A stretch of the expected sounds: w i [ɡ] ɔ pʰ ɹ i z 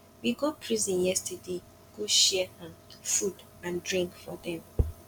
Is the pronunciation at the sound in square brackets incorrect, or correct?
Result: correct